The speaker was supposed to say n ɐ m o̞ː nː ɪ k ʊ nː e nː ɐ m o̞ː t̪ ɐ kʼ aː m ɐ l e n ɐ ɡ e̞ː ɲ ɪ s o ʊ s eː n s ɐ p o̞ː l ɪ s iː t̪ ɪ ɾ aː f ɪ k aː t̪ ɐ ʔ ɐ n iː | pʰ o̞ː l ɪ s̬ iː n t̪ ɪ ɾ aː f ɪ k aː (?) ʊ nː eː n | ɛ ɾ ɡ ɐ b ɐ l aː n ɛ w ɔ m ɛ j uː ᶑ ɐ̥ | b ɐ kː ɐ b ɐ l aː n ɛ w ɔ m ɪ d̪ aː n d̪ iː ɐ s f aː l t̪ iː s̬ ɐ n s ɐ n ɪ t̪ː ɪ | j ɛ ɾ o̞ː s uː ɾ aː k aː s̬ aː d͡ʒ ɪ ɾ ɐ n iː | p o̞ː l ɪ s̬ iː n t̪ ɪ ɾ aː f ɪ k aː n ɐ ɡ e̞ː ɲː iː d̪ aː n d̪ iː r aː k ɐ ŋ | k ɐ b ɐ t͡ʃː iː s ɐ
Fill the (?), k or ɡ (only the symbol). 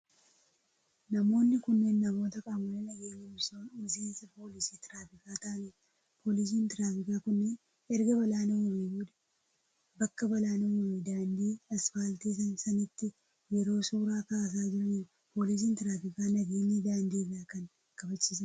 k